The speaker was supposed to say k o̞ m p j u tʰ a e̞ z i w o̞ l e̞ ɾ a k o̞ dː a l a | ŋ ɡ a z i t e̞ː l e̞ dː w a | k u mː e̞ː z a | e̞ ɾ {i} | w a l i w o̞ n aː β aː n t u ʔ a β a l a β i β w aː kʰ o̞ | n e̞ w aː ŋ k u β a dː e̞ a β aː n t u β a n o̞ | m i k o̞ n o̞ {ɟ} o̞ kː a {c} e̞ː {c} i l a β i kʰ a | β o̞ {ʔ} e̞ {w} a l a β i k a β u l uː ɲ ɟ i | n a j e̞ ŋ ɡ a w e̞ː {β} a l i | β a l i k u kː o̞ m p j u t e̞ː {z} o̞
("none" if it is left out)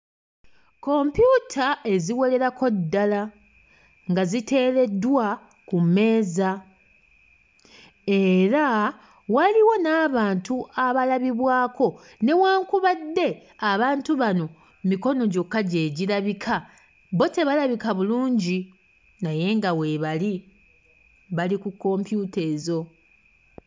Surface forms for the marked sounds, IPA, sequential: a, ɟ, ɟ, ɟ, t, β, β, z

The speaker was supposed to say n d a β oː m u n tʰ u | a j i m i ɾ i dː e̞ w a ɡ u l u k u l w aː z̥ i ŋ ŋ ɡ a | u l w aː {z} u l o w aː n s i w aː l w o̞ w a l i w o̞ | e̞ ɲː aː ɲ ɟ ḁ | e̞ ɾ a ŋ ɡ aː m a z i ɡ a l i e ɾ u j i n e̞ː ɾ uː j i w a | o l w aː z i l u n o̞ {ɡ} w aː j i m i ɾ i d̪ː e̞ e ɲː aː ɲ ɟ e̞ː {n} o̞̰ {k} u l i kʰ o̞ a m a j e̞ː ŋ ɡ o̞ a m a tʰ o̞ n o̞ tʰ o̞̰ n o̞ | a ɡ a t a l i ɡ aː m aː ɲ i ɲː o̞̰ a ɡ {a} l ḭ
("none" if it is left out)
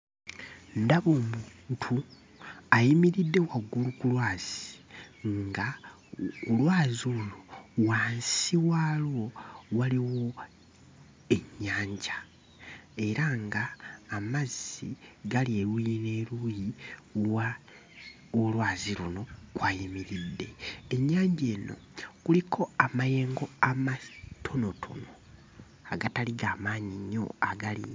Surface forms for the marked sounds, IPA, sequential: z, k, n, k, a

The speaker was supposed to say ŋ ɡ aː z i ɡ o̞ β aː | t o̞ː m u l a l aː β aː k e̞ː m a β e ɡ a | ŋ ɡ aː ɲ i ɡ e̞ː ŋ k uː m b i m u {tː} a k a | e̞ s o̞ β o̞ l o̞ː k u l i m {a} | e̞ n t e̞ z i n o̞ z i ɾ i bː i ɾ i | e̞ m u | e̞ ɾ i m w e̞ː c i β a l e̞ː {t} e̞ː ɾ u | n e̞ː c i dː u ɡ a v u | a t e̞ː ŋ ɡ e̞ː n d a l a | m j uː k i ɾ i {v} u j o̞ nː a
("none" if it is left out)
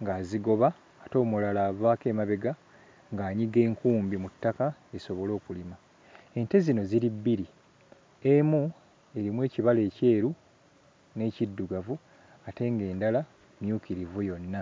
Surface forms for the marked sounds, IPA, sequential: tː, a, c, v

